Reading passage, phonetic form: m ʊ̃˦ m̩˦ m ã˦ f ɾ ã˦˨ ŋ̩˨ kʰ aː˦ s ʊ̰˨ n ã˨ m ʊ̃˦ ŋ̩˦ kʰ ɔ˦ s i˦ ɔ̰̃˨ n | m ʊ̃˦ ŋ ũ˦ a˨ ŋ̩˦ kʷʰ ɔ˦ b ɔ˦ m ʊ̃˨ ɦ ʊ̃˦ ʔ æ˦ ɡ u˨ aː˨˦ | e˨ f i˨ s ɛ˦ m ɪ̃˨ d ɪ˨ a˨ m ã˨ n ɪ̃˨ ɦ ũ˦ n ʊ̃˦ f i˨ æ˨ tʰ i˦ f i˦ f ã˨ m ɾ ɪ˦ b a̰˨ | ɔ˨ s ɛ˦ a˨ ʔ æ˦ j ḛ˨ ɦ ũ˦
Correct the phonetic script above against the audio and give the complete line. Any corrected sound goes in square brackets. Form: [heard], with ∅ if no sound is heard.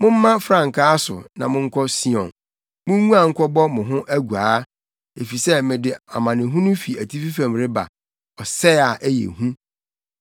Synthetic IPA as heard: m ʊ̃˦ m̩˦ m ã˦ f ɾ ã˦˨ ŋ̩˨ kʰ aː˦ s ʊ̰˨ n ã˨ m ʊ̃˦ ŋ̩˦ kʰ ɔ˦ s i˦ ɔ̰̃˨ n | m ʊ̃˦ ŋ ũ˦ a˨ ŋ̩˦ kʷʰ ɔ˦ b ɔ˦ m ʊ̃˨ ɦ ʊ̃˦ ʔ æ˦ ɡ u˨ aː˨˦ | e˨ f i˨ s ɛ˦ m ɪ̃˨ d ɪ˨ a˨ m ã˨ n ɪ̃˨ ɦ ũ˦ n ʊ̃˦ f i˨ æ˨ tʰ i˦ f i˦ f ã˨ m ɾ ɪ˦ b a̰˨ | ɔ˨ s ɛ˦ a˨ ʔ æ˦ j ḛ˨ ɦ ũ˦